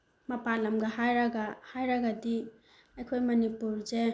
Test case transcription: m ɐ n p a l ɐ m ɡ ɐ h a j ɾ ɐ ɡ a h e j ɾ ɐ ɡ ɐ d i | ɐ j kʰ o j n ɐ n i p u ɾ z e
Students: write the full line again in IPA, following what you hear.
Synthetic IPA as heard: m ɐ p a l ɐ m ɡ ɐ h a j ɾ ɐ ɡ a h a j ɾ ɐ ɡ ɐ d i | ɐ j kʰ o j m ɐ n i p u ɾ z e